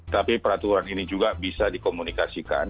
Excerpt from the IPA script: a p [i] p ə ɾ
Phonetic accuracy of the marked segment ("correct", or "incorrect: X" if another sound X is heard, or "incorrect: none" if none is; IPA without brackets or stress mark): correct